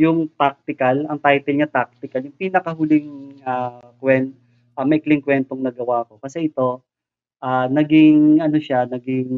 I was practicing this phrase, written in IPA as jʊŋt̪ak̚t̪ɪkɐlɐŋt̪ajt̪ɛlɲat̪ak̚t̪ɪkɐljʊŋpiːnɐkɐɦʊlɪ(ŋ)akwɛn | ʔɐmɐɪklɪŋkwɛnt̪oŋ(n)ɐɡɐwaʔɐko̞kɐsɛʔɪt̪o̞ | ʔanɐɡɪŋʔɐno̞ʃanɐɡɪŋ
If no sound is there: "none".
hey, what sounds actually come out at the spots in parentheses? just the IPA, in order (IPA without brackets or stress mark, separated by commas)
ŋ, n